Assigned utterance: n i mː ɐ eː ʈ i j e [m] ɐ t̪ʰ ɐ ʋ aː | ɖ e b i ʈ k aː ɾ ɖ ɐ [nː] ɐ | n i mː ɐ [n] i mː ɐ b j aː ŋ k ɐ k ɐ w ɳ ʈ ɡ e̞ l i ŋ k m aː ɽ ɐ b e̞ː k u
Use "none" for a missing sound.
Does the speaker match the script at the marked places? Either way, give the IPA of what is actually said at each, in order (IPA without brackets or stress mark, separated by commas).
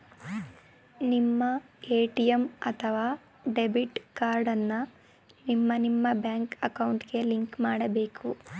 m, nː, n